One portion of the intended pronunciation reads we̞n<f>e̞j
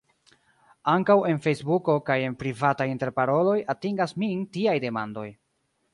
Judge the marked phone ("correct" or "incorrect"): correct